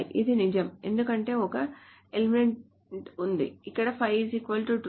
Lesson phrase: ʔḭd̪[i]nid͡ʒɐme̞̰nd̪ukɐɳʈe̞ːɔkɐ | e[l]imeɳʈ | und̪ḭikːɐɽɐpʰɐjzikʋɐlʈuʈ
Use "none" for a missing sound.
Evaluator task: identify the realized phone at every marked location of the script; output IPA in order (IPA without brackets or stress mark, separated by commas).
i, l